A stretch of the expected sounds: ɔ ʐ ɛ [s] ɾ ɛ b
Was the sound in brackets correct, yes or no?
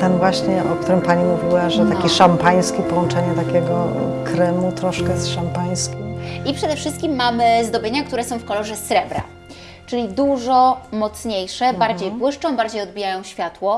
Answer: yes